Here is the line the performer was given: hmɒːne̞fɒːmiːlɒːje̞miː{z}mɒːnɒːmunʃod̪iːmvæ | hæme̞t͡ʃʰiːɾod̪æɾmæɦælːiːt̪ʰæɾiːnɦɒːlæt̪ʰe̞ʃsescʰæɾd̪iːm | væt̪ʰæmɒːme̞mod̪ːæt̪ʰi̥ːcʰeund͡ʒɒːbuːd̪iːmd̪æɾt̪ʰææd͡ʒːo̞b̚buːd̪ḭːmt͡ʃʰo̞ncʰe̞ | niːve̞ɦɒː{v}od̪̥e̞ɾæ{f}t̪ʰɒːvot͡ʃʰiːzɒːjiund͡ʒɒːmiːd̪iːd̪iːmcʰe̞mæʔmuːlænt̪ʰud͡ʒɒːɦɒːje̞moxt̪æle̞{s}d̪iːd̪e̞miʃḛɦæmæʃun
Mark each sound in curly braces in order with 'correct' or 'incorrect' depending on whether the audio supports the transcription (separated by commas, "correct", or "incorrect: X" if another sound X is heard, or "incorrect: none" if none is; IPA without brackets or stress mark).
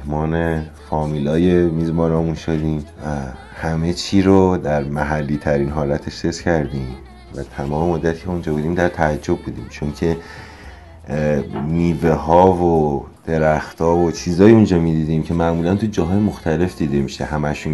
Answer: correct, correct, incorrect: x, incorrect: f